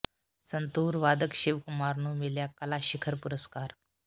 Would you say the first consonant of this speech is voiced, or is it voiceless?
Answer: voiceless